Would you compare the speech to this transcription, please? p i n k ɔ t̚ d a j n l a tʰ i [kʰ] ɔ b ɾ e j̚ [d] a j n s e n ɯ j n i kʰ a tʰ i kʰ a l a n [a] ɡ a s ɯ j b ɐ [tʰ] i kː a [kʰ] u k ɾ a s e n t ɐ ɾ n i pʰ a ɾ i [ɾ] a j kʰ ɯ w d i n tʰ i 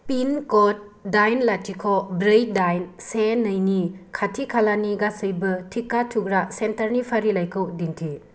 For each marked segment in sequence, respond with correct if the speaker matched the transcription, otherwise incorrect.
correct, correct, incorrect, correct, incorrect, incorrect

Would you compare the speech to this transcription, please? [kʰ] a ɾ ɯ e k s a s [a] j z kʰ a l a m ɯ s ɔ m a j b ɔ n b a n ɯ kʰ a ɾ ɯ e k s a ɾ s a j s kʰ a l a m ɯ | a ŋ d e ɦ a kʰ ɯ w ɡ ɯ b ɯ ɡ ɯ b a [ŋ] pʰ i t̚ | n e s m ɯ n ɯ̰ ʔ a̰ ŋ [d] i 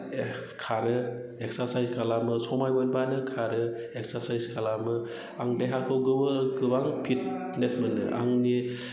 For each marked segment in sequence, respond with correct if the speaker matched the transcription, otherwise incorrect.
correct, correct, correct, incorrect

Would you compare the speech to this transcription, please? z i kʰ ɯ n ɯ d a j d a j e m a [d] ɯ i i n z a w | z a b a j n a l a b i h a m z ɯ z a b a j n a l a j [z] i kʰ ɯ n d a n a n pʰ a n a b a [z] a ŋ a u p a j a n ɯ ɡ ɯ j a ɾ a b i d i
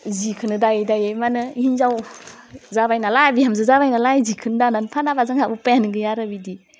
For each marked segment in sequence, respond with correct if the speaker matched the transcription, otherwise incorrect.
incorrect, correct, correct

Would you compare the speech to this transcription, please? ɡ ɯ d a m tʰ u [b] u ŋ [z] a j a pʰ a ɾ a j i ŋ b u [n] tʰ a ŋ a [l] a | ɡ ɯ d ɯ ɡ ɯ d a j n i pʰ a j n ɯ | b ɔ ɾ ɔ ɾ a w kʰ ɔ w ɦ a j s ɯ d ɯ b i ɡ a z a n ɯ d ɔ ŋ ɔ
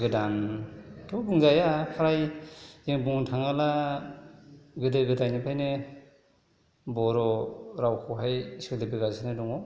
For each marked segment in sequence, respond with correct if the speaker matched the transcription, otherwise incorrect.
correct, correct, incorrect, correct

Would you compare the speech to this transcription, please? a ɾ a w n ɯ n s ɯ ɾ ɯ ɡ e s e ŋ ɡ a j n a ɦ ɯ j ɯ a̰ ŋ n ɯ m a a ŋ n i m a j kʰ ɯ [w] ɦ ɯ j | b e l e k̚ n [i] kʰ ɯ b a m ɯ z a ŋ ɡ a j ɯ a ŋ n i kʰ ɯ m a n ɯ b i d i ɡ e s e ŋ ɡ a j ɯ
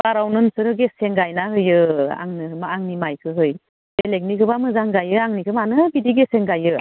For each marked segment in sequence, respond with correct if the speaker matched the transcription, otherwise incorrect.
incorrect, correct

